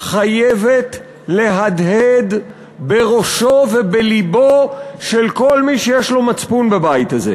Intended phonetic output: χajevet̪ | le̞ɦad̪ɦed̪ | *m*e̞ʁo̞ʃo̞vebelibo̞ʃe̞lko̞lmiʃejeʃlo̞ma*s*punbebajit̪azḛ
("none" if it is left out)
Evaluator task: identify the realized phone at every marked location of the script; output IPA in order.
b, t͡s

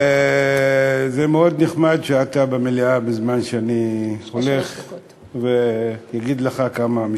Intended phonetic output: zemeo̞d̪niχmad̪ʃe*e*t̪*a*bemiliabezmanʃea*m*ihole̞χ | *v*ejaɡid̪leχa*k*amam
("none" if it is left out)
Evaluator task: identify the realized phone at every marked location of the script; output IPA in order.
a, a, n, v, k

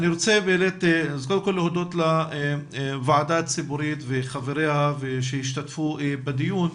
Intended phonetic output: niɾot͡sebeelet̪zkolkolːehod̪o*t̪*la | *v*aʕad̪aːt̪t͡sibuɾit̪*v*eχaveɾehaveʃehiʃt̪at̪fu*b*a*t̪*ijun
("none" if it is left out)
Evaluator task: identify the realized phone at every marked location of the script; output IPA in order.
t̪, v, v, b, d̪

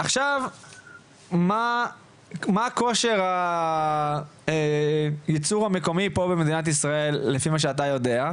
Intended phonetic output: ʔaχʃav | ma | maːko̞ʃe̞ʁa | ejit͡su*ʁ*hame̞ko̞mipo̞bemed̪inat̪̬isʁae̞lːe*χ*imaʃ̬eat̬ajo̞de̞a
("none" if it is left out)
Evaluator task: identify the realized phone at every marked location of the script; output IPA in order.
ʁ, f

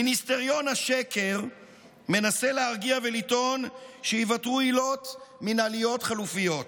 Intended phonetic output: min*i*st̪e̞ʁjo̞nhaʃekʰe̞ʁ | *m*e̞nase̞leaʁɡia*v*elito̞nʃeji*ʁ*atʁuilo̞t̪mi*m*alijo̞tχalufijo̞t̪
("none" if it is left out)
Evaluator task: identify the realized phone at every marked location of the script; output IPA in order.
i, m, v, v, n

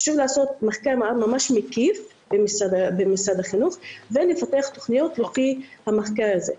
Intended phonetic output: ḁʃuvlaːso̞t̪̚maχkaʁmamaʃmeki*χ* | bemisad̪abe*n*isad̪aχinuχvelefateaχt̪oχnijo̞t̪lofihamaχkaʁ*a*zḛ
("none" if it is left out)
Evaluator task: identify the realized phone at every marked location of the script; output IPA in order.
f, m, a

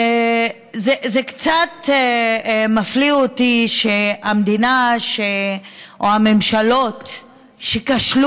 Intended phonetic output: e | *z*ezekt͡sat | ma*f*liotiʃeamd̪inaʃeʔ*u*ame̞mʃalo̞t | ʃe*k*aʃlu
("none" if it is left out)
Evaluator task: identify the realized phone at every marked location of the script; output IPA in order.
z, f, o, k

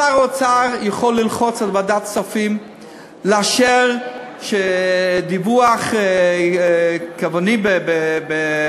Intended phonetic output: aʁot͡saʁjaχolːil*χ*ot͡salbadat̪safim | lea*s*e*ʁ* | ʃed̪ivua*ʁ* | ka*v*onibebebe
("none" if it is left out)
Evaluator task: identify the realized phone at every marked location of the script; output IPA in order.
χ, ʃ, ʁ, χ, v

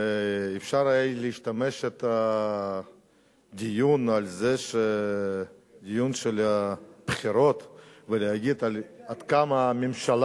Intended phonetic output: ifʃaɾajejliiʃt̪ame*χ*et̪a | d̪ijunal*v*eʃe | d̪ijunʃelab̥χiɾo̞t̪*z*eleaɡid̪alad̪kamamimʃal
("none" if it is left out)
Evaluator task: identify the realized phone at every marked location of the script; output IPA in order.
ʃ, z, v

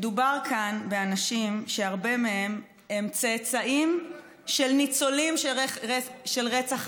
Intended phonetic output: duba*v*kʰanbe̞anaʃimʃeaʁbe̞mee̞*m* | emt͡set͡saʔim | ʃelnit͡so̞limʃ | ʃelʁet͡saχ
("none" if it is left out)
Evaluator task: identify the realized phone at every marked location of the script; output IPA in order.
ʁ, m

